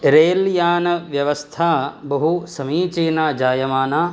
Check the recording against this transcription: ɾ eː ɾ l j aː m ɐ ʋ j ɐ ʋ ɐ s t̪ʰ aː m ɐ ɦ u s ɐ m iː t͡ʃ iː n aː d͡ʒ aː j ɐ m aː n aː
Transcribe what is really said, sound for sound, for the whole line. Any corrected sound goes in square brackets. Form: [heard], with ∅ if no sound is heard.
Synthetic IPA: ɾ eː [∅] l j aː [n] ɐ ʋ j ɐ ʋ ɐ s t̪ʰ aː [b] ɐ ɦ u s ɐ m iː t͡ʃ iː n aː d͡ʒ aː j ɐ m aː n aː